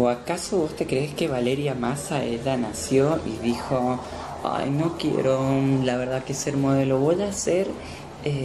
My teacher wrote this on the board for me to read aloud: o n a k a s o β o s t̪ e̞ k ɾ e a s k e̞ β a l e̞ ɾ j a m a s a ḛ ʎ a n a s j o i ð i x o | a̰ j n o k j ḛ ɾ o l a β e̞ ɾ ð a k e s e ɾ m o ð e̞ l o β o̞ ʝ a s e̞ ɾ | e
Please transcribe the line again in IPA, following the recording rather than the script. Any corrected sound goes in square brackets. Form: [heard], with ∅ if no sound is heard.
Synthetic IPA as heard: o [∅] a k a s o β o s t̪ e̞ k ɾ e [e] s k e̞ β a l e̞ ɾ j a m a s a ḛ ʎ a n a s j o i ð i x o | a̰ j n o k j ḛ ɾ o l a β e̞ ɾ ð a k e s e ɾ m o ð e̞ l o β o̞ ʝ a s e̞ ɾ | e